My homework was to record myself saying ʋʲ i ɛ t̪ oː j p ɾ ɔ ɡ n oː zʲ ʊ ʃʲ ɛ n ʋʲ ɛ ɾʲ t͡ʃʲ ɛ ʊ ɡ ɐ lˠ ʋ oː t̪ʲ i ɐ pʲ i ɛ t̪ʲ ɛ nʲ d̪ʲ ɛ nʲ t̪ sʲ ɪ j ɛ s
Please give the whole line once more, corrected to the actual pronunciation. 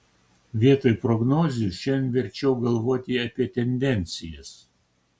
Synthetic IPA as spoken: ʋʲ i ɛ t̪ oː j p ɾ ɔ ɡ n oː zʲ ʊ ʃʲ ɛ n ʋʲ ɛ ɾʲ t͡ʃʲ ɛ ʊ ɡ ɐ lˠ ʋ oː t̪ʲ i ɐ pʲ i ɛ t̪ʲ ɛ nʲ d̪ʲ ɛ nʲ t̪ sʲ ɪ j ɛ s